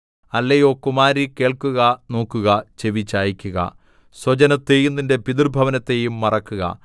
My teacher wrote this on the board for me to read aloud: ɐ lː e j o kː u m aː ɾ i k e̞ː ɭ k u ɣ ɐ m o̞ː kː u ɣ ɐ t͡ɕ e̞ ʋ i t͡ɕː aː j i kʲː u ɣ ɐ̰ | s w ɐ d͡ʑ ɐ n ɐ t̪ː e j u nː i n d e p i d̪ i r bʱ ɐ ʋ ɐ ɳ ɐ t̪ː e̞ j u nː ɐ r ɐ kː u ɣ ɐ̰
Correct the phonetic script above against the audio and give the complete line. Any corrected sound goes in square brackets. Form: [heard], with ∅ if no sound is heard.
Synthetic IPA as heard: ɐ lː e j o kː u m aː ɾ i k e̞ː ɭ k u ɣ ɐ [n] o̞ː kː u ɣ ɐ t͡ɕ e̞ ʋ i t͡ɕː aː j i kʲː u ɣ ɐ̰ | s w ɐ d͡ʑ ɐ n ɐ t̪ː e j u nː i n d e p i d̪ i r bʱ ɐ ʋ ɐ [n] ɐ t̪ː e̞ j u [mː] ɐ r ɐ kː u ɣ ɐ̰